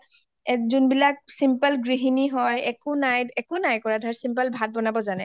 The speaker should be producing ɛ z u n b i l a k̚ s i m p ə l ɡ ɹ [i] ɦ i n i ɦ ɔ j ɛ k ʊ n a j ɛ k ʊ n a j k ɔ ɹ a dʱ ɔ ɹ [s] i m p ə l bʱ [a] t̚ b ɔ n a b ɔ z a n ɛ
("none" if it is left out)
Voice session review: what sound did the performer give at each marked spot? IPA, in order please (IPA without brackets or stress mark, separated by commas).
i, s, a